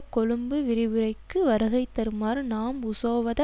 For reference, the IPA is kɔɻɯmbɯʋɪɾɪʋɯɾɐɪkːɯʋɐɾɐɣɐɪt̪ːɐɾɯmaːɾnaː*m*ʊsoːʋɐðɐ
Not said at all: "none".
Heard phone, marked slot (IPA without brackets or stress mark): m